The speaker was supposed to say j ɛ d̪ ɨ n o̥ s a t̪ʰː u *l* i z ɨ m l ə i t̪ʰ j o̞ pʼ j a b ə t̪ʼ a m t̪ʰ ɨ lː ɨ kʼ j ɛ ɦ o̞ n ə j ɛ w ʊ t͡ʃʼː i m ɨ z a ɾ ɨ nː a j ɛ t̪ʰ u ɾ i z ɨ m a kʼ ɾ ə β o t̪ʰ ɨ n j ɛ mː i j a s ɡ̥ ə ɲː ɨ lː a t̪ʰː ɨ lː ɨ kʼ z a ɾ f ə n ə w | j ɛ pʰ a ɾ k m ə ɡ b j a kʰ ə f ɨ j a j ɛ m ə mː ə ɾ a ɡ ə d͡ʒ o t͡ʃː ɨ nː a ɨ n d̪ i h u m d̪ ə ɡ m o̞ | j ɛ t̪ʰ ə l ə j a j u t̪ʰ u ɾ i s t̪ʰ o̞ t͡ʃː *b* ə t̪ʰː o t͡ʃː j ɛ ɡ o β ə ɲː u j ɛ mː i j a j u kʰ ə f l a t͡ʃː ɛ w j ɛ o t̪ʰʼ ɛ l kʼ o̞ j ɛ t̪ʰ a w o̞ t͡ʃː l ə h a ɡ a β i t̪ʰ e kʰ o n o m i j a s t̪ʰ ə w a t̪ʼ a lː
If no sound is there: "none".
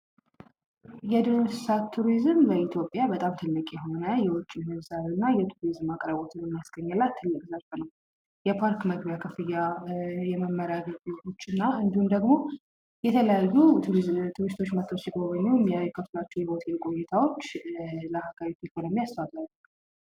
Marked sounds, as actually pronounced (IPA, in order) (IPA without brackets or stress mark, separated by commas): ɾ, m